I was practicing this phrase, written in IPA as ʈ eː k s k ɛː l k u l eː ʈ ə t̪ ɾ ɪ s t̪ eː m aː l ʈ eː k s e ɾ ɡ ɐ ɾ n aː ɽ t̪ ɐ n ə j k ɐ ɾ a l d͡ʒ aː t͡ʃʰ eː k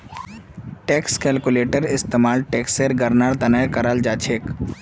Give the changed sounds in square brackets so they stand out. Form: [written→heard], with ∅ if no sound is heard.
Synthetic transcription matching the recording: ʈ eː k s k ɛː l k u l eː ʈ ə [t̪→∅] ɾ ɪ s t̪ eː m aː l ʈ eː k s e ɾ ɡ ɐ ɾ n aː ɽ t̪ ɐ n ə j k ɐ ɾ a l d͡ʒ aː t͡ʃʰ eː k